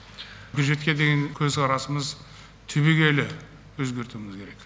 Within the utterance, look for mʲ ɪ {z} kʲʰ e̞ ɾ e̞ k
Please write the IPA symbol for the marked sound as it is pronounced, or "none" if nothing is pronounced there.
z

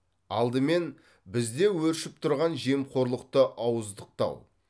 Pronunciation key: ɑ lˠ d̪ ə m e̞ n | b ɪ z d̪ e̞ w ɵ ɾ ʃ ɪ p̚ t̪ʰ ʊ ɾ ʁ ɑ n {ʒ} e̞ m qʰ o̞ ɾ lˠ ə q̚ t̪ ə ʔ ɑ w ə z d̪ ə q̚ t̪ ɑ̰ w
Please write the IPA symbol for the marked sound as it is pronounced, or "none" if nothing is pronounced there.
ʒ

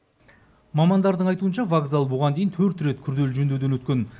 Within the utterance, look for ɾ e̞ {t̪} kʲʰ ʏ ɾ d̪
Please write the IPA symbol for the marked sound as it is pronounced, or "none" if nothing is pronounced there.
t̪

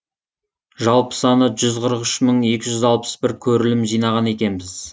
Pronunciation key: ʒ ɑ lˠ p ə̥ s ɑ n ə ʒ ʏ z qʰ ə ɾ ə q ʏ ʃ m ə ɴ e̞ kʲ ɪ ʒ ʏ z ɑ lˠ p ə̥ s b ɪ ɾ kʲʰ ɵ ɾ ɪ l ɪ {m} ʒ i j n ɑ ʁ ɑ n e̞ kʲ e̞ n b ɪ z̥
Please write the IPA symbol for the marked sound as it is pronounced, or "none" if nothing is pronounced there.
m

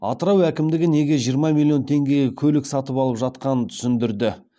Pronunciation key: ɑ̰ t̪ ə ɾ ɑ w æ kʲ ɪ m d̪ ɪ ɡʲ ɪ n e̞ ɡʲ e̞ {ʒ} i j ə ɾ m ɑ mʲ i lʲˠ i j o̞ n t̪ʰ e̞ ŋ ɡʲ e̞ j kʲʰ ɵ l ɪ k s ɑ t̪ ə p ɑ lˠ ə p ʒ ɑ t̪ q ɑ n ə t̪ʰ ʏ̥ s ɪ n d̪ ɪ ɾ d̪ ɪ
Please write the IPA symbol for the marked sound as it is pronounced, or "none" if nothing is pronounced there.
ʒ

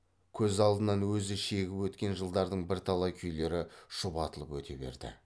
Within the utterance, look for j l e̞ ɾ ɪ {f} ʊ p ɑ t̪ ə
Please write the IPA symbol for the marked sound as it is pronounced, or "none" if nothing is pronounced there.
ʃ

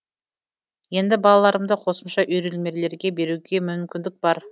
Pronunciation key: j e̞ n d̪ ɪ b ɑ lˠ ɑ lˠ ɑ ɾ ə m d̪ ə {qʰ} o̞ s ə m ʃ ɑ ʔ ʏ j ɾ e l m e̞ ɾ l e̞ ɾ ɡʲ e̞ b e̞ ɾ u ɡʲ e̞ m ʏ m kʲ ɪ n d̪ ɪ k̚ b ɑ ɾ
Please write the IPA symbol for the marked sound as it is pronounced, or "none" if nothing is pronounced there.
qʰ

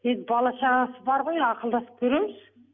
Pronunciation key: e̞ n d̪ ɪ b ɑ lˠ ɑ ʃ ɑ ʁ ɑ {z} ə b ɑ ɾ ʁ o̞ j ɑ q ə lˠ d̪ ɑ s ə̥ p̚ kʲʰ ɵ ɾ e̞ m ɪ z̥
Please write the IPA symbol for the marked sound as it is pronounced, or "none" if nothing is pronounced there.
s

